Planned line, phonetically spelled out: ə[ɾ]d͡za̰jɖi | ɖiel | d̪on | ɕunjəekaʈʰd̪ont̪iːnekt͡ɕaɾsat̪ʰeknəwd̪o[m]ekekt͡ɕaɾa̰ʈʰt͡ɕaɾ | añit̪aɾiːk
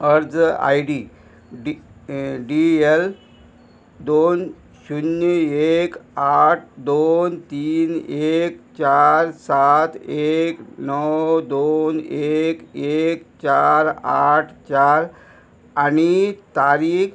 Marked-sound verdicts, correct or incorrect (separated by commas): correct, incorrect